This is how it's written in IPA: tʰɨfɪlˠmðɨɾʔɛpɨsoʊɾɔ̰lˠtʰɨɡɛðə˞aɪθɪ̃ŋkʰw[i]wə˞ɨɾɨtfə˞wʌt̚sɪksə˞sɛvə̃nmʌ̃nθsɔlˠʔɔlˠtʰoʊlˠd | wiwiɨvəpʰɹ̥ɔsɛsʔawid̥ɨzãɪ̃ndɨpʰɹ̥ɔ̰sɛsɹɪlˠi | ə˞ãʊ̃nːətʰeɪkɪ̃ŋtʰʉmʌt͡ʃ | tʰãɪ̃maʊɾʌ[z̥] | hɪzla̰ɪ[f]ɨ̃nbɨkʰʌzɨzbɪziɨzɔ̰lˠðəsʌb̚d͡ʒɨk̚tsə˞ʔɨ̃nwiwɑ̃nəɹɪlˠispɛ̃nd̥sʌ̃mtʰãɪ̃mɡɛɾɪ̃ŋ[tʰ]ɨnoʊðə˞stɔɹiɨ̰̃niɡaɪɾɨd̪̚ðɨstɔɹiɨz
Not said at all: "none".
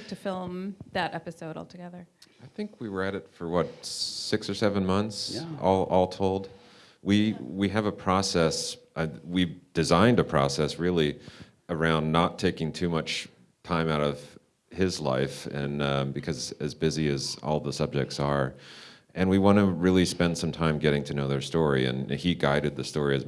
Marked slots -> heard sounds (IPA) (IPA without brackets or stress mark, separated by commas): i, v̥, f, tʰ